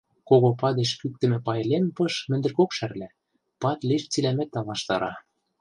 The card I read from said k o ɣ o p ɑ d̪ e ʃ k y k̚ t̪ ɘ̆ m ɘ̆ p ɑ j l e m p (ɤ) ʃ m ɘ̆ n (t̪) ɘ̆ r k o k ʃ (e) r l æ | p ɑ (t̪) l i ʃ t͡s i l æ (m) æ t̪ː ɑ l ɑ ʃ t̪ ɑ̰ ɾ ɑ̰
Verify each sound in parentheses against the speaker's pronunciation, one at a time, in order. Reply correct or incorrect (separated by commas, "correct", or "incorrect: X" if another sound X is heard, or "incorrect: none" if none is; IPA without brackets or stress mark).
correct, incorrect: d̪, incorrect: æ, correct, correct